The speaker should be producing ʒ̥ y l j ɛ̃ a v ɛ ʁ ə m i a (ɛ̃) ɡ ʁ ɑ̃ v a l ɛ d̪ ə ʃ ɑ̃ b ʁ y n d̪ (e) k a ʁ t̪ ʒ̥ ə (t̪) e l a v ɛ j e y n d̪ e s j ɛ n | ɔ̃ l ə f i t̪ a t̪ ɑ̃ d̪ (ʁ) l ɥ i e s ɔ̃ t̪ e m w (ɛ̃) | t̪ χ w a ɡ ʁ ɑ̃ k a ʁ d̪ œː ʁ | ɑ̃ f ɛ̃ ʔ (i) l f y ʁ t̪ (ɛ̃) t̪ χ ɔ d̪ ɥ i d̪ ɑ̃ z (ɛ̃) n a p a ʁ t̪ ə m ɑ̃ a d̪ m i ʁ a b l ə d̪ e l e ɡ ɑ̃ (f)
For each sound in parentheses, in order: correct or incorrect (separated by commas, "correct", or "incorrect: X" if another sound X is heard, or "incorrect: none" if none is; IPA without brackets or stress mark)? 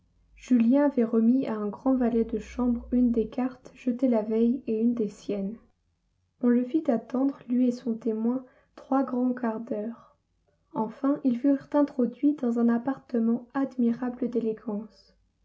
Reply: correct, correct, correct, correct, correct, correct, correct, correct, incorrect: s